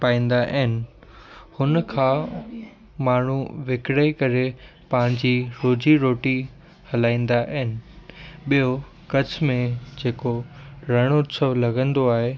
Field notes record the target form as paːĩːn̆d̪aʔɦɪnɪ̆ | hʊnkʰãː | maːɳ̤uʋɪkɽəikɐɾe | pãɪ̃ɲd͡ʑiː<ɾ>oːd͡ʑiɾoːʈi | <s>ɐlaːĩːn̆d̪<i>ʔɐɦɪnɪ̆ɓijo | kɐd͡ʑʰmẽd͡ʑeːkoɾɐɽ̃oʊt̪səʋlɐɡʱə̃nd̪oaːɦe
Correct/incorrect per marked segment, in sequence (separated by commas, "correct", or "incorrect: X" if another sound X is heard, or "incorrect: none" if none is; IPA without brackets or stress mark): correct, incorrect: h, incorrect: a